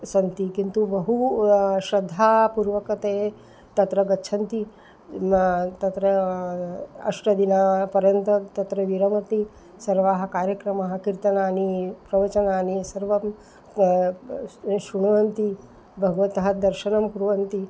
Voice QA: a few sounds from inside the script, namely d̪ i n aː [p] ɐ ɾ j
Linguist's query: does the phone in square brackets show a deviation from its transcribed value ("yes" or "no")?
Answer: no